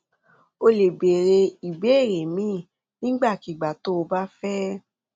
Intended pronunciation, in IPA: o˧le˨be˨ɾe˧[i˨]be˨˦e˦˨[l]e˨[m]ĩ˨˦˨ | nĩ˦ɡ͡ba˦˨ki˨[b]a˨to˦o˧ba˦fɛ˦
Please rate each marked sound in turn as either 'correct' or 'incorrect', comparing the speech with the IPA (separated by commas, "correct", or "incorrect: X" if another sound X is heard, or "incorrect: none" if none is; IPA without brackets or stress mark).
correct, incorrect: ɾ, correct, incorrect: ɡ͡b